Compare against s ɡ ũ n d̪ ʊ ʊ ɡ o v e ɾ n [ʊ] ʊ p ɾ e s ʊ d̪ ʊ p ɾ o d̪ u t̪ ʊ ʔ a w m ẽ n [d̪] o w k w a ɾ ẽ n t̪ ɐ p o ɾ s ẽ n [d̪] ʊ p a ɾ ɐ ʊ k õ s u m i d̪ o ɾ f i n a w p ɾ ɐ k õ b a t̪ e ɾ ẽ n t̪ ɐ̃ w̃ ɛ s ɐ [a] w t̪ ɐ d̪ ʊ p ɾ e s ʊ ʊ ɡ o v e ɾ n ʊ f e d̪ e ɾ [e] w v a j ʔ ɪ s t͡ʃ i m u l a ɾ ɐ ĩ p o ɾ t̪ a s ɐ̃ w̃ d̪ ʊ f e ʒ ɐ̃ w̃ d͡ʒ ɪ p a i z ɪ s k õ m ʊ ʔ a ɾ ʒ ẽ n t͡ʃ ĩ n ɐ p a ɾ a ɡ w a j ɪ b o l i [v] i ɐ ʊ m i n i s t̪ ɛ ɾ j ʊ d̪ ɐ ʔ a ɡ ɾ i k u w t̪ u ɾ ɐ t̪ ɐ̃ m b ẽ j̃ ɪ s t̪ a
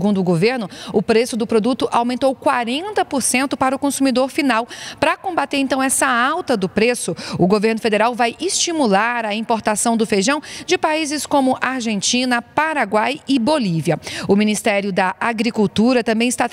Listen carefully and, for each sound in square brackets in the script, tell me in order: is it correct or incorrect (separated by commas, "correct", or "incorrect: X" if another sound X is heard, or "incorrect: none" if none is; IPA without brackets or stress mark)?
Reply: correct, incorrect: t̪, incorrect: t̪, correct, incorrect: a, correct